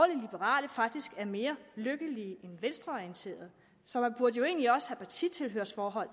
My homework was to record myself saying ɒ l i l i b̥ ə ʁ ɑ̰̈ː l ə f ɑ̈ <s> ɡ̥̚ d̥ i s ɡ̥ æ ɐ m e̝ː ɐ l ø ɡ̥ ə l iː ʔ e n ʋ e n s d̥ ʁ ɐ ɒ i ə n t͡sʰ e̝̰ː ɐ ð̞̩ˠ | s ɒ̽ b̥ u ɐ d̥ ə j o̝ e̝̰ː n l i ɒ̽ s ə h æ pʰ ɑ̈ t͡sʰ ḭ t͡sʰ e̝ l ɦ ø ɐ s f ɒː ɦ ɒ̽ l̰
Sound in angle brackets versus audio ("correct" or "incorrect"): incorrect